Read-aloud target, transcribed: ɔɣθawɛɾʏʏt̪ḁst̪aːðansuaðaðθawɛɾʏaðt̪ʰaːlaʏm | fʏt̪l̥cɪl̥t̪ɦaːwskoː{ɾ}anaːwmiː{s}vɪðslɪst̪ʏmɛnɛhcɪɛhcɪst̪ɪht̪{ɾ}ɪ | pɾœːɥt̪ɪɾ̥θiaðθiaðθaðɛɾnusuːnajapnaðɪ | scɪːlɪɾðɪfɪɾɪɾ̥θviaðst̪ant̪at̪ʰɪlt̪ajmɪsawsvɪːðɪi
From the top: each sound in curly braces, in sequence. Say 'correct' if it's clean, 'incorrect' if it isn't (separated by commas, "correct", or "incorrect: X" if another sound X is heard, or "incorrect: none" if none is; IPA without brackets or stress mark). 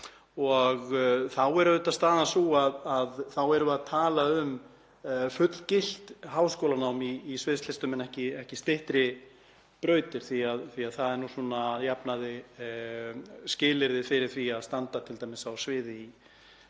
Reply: incorrect: l, correct, correct